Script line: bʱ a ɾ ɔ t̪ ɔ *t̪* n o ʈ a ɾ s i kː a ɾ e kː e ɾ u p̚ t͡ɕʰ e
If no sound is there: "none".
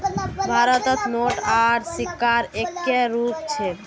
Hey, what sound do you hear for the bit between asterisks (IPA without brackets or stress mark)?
t̪